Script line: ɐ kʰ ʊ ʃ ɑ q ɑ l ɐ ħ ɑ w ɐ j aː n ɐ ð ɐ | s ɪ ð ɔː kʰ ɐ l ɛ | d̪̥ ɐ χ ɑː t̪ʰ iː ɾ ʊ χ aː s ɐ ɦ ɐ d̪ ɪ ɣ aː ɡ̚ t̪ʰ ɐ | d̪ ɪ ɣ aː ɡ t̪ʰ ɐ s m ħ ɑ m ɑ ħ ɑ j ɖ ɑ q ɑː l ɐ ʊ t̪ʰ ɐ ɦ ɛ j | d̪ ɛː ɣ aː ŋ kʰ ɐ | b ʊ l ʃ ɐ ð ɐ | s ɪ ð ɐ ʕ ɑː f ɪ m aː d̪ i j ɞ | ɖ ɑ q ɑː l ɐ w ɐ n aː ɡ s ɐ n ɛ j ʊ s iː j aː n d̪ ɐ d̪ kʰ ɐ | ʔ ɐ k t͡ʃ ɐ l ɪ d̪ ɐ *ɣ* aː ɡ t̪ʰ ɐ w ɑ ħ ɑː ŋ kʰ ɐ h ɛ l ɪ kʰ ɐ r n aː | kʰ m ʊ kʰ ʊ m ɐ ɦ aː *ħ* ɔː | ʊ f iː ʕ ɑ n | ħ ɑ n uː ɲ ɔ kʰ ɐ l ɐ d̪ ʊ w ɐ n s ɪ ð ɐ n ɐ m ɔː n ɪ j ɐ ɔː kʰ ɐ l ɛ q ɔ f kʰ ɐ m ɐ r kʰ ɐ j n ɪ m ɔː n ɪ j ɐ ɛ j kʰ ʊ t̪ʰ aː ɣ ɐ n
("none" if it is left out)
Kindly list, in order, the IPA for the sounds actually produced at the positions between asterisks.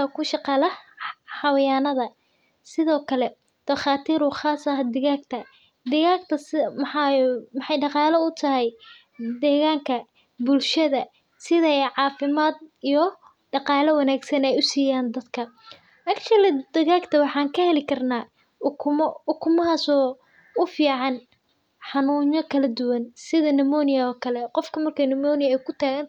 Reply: ɣ, s

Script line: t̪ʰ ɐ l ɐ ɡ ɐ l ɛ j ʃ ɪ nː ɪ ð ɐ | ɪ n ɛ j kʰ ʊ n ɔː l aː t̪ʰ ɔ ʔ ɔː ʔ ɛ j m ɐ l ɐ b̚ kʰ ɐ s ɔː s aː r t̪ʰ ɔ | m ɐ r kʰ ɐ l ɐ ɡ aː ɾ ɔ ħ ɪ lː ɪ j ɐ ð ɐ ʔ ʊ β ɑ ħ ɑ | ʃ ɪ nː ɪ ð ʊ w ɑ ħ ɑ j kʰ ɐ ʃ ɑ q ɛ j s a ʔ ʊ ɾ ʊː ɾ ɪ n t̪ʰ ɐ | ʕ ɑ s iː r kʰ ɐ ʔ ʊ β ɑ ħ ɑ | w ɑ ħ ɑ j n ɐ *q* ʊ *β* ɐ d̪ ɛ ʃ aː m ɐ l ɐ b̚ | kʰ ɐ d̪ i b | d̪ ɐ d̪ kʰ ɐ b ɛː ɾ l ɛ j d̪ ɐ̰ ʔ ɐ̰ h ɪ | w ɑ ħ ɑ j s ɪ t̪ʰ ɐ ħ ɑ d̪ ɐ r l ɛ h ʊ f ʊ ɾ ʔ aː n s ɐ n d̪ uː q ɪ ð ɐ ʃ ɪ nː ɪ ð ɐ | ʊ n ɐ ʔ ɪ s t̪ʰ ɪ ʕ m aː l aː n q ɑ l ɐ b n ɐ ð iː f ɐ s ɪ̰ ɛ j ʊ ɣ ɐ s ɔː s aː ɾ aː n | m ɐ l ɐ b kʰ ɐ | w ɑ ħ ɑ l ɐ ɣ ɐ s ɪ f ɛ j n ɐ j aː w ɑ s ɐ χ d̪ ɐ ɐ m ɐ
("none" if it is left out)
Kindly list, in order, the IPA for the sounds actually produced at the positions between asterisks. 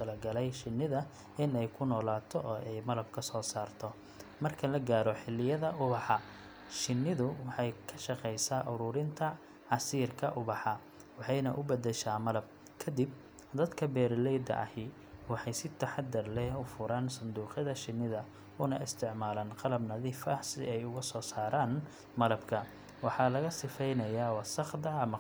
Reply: ʔ, b

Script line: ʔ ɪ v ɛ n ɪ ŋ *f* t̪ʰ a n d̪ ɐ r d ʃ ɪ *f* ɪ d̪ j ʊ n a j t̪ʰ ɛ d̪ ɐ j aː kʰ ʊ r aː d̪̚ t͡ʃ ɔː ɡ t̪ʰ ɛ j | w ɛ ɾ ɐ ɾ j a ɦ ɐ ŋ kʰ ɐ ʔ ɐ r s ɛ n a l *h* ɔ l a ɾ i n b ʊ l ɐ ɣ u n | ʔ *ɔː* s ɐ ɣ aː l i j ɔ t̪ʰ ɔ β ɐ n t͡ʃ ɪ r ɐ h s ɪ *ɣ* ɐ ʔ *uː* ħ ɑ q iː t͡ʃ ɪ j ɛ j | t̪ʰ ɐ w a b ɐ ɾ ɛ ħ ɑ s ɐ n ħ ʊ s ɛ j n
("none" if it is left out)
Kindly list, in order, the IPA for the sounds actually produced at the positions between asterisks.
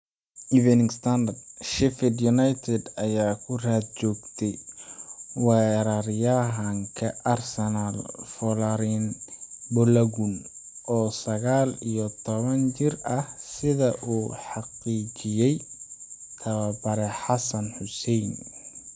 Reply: s, f, f, ɔː, ð, uː

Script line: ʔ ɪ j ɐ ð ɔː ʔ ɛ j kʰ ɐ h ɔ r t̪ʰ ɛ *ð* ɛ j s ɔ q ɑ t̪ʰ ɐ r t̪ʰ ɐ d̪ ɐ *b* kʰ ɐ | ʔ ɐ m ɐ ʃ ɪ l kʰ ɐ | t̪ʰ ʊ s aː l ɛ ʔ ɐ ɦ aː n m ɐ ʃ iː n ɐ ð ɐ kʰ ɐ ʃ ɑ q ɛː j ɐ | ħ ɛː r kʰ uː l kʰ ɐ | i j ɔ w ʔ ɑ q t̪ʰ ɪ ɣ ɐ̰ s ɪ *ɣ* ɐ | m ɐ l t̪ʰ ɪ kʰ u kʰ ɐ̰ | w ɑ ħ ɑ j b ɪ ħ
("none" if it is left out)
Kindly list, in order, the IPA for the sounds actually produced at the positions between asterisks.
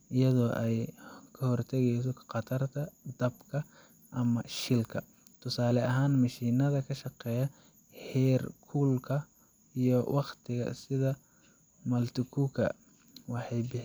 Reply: ɣ, b, ð

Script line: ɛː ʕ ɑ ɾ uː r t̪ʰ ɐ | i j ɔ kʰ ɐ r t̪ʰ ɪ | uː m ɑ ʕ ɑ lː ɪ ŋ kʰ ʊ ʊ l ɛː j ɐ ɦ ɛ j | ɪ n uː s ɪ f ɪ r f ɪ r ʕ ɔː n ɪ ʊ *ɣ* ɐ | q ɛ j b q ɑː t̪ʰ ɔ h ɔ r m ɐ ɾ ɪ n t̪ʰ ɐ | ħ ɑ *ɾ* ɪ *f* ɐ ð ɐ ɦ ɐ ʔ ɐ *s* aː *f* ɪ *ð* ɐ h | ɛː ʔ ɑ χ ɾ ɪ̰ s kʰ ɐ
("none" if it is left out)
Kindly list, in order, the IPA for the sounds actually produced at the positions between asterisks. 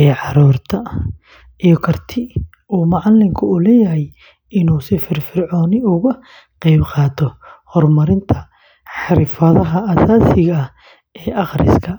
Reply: ɣ, ɾ, f, s, s, ɣ

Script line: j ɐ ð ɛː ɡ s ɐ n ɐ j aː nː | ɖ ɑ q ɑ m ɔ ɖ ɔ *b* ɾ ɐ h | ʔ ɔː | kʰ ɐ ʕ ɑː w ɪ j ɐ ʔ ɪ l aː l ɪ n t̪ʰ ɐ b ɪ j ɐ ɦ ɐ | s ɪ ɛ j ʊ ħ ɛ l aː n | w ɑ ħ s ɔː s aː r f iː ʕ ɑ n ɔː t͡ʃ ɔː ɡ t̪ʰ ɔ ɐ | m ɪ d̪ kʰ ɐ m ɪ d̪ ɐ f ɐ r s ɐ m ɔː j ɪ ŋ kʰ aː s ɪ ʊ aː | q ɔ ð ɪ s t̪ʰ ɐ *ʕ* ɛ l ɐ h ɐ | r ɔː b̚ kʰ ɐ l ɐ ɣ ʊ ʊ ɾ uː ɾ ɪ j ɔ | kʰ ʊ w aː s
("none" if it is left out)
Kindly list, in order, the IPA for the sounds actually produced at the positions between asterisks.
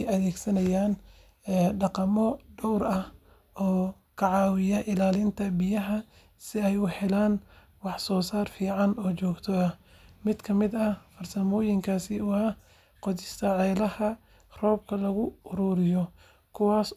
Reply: w, ʕ

